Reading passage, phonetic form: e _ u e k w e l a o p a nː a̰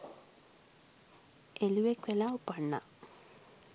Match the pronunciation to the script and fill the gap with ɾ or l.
l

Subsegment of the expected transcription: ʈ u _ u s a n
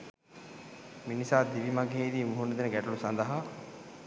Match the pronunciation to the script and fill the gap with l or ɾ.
l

